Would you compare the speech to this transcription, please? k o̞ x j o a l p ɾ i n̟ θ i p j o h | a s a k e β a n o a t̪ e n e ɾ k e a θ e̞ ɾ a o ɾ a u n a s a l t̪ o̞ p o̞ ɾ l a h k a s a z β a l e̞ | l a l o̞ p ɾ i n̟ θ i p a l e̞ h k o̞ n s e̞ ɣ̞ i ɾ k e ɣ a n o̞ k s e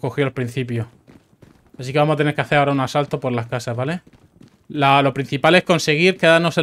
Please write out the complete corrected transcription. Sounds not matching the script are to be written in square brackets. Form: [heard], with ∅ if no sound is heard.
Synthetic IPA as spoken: k o̞ x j o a l p ɾ i n̟ θ i p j o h | a s [i] k e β a [m] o a t̪ e n e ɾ k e a θ e̞ ɾ a o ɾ a u n a s a l t̪ o̞ p o̞ ɾ l a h k a s a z β a l e̞ | l a l o̞ p ɾ i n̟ θ i p a l e̞ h k o̞ n s e̞ ɣ̞ i ɾ k e [ð] a n o̞ [∅] s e